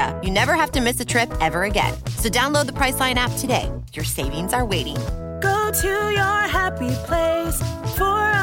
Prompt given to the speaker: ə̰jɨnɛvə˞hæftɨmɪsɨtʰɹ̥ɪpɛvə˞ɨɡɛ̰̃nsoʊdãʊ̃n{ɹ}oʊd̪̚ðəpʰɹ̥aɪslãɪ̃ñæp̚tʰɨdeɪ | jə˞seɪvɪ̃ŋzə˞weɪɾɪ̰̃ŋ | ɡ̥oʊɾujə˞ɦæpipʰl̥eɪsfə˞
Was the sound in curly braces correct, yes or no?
no